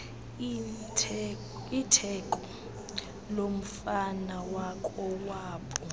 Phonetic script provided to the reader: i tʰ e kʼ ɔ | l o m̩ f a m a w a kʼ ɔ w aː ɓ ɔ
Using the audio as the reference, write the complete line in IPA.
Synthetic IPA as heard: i tʰ ɛ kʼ ɔ | l o m̩ f a n a w a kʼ ɔ w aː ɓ ɔ